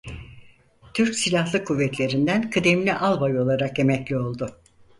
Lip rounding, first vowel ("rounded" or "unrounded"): rounded